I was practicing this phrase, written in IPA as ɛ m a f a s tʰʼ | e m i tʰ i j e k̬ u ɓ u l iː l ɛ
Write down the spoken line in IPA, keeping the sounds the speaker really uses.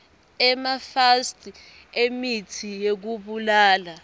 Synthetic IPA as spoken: ɛ m a f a s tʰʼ | e m i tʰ i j e k̬ u ɓ u l aː l a

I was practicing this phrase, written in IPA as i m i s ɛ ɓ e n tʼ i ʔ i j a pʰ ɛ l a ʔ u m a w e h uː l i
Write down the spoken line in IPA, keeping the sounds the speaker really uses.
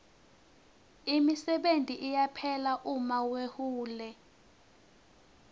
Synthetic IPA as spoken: i m i s ɛ ɓ e n tʼ i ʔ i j a pʰ ɛ l a ʔ u m a w e h uː l ɛ

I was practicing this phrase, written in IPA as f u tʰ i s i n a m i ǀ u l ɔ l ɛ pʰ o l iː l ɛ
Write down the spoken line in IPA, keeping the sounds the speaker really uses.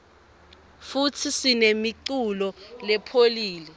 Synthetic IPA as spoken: f u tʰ i s i n e m i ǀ u l ɔ l ɛ pʰ o l iː l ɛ

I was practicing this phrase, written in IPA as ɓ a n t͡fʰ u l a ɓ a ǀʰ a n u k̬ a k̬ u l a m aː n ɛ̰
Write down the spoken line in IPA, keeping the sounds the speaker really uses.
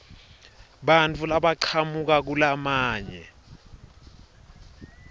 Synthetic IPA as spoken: ɓ a n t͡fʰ u l a ɓ a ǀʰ a m u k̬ a k̬ u l a m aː ɲ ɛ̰

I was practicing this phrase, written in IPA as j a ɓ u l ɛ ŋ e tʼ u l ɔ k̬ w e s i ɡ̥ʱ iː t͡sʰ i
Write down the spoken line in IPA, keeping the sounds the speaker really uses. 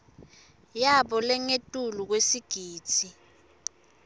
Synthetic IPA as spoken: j a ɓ ɔ l ɛ ŋ e tʼ u l u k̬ w e s i ɡ̥ʱ iː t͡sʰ i

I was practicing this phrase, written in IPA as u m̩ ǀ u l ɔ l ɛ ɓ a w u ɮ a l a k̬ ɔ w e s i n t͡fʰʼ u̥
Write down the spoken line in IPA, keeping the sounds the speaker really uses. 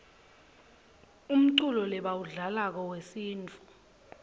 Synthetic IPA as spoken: u m̩ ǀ u l ɔ l ɛ ɓ a w u ɮ a l a k̬ ɔ w e s iː n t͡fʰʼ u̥

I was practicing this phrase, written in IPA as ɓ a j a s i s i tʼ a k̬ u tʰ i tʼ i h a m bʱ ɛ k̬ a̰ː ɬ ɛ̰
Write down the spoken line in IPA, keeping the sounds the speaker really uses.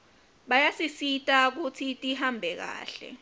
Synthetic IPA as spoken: ɓ a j a s i s i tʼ a k̬ u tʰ i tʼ i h a m bʱ ɛ k̬ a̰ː ɬ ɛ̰

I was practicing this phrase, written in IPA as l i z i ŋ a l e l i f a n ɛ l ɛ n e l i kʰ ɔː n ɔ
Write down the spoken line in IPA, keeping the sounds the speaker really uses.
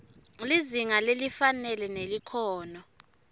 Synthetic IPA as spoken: l i z i ŋ a l e l i f a n ɛ l ɛ n e l i kʰ ɔː n ɔ

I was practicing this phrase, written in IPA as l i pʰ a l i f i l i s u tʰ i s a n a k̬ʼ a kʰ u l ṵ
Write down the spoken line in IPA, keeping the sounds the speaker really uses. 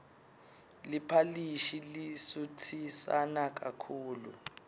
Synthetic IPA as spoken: l i pʰ a l i ʃ i l i s u tʰ i s a n a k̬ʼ a kʰ uː l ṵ

